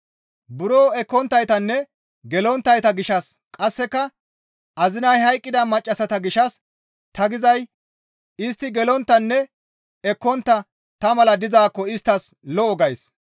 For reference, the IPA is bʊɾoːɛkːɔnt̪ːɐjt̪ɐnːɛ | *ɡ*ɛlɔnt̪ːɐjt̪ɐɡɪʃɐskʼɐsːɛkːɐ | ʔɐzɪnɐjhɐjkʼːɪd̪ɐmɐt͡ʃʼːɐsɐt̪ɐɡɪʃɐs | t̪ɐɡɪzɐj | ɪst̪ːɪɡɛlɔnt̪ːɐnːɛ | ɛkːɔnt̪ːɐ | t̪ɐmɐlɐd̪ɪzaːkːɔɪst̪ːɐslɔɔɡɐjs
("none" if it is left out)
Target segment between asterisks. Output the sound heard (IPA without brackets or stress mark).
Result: ɡ